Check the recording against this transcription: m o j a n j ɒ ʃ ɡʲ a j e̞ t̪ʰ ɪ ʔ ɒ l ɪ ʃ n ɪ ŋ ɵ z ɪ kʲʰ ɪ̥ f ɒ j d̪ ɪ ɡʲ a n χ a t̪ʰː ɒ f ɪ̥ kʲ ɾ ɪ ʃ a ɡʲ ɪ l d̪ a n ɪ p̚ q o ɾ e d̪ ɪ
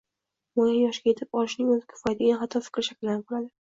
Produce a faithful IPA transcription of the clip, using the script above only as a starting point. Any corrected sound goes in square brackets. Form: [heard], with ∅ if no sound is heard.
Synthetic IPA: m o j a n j ɒ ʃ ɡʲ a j e̞ t̪ʰ ɪ [p] ɒ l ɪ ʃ n ɪ ŋ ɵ z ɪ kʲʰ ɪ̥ f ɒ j d̪ ɪ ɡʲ a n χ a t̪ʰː ɒ f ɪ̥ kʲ ɾ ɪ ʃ a [kʲ] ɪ l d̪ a n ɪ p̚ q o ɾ [a] d̪ ɪ